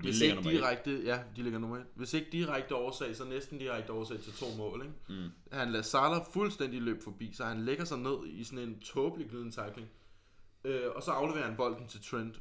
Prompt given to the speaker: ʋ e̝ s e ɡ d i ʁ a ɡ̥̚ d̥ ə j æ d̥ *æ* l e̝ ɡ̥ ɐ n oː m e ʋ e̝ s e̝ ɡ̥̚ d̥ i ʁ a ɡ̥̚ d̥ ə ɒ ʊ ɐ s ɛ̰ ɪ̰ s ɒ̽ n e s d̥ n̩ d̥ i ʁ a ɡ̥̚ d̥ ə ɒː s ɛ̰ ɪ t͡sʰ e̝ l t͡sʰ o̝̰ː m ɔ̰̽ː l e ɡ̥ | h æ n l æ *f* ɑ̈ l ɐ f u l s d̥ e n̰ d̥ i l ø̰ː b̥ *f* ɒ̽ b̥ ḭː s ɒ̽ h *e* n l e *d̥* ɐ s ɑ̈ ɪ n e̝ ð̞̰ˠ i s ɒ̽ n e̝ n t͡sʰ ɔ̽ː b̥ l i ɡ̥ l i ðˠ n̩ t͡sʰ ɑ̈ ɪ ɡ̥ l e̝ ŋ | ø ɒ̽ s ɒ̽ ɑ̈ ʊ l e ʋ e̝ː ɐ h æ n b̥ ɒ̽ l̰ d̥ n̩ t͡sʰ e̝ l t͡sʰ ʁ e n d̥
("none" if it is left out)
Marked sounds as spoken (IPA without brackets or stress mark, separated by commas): i, s, f, æ, ɡ̥